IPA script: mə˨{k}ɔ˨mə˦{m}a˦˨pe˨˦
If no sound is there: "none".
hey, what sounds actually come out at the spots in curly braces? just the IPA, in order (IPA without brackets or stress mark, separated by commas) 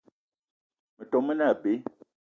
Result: t, n